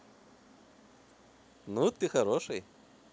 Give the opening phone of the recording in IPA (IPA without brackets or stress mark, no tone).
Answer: n